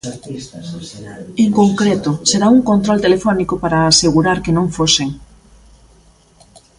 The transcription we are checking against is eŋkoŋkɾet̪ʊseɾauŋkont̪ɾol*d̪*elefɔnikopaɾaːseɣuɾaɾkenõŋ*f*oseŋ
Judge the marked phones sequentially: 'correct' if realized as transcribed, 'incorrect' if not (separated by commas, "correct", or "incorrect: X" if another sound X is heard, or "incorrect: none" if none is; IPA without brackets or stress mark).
incorrect: t̪, correct